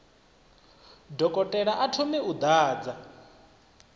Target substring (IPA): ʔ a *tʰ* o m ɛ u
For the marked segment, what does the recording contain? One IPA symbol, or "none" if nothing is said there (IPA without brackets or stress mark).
tʰ